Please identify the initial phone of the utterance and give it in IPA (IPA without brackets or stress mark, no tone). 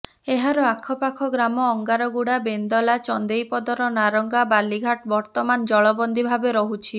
e